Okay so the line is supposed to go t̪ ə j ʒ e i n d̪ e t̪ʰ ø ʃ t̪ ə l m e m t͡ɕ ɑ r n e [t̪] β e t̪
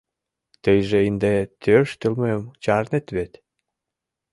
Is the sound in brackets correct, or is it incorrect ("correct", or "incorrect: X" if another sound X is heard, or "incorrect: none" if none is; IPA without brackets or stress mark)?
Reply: correct